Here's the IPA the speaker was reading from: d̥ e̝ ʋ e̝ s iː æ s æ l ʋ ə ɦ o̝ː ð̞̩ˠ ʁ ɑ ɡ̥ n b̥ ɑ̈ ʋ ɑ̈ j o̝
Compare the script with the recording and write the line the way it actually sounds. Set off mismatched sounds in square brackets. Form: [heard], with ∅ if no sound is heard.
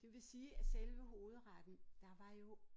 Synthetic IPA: d̥ e̝ ʋ e̝ s iː æ s [e] l ʋ ə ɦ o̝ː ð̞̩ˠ ʁ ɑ [d̥] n [d̥] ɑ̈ ʋ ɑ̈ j o̝